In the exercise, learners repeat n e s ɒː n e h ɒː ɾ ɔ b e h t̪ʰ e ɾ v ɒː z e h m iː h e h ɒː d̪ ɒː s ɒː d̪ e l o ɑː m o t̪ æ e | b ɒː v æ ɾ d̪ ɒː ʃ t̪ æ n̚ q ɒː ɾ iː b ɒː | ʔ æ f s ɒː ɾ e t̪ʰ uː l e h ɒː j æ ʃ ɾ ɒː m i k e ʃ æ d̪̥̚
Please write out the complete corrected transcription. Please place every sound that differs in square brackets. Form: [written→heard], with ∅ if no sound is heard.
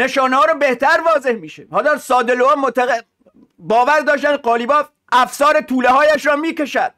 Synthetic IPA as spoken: n e [s→ʃ] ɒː n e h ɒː ɾ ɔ b e h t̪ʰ [e→æ] ɾ v ɒː z e h m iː [h→ʃ] e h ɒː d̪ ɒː s ɒː d̪ e l o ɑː m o t̪ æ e | b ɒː v æ ɾ d̪ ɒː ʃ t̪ æ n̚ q ɒː [ɾ→l] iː b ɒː | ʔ æ f s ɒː ɾ e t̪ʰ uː l e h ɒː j æ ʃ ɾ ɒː m [i→iː] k e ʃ æ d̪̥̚